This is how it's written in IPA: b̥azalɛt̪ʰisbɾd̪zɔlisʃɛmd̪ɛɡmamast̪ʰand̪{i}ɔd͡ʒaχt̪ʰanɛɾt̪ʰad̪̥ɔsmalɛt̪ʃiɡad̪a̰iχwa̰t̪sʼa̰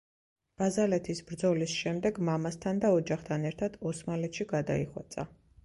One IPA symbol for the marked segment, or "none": a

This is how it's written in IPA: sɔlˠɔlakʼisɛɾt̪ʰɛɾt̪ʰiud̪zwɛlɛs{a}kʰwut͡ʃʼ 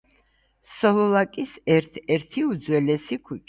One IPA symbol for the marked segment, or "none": i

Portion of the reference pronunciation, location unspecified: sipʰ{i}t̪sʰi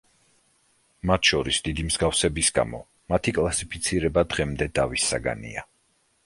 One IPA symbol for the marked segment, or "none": i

